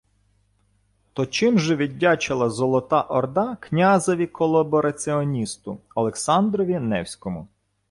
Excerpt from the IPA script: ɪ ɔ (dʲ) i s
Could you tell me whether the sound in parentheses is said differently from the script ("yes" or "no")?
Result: yes